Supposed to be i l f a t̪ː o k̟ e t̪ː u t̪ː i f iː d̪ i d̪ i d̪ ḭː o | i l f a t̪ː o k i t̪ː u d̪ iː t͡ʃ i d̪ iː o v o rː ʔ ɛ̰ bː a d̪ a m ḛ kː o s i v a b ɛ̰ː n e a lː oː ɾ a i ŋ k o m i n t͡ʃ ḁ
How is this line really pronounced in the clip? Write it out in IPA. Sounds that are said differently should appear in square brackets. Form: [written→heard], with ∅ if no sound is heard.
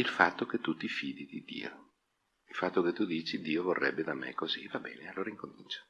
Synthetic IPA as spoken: i l f a t̪ː o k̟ e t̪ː u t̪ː i f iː d̪ i d̪ i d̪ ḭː o | i l f a t̪ː o k [i→e] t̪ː u d̪ iː t͡ʃ i d̪ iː o v o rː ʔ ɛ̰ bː [a→e] d̪ a m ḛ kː o [s→z] i v a b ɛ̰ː n e a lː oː ɾ a i ŋ k o m i n t͡ʃ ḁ